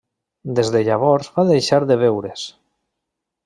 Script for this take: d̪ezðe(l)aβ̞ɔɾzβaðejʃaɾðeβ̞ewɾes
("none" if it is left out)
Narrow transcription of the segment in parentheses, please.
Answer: ʎ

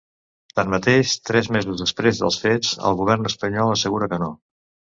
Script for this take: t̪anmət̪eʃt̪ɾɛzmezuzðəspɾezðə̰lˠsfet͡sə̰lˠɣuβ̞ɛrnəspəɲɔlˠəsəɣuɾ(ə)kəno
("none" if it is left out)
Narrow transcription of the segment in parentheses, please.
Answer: ə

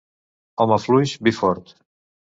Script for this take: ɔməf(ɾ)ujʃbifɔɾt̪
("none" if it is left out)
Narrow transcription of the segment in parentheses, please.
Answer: l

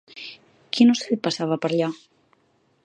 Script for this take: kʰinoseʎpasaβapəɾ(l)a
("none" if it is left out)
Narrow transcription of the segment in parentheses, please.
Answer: ʎ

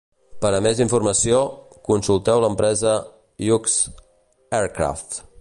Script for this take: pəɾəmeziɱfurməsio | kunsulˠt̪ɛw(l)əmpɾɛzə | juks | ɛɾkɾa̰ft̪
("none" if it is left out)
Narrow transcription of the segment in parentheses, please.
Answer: l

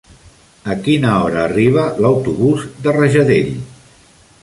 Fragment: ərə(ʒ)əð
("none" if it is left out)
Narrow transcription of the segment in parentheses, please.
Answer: ʒ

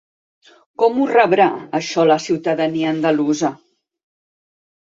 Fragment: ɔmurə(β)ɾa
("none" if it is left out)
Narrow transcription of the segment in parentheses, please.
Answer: β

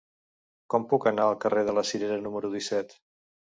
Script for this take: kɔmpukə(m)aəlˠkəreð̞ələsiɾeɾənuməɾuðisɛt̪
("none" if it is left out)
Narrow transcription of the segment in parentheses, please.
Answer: n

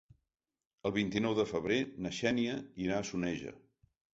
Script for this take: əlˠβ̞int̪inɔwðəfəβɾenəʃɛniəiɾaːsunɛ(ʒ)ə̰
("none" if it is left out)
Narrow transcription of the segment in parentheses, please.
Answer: ʒ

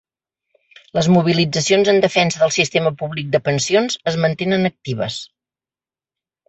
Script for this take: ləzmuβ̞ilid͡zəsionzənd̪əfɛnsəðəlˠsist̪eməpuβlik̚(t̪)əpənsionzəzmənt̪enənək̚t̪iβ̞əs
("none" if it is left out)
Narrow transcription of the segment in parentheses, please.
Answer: d̪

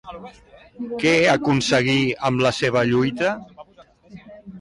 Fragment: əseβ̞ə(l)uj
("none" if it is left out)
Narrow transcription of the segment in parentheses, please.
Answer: ʎ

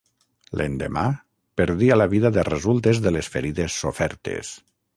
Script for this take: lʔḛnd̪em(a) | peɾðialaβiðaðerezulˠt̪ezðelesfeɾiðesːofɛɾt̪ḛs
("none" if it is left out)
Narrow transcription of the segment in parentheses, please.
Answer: a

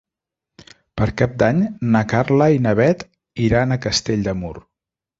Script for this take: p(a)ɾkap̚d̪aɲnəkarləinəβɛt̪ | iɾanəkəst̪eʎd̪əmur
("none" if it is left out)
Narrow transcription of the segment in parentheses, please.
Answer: ə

